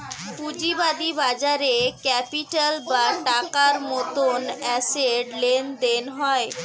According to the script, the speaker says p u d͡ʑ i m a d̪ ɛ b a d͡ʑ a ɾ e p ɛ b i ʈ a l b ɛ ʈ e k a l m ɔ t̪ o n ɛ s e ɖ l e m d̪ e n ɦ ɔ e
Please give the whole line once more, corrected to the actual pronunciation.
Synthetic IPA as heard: p u d͡ʑ i b a d̪ i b a d͡ʑ a ɾ e k ɛ p i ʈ a l b a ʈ a k a ɾ m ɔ t̪ o n ɛ s e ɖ l e n d̪ e n ɦ ɔ e